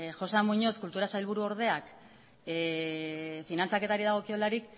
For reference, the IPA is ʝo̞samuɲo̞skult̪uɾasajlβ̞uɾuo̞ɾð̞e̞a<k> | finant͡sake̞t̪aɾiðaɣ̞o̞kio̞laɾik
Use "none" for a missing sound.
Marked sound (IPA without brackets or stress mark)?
k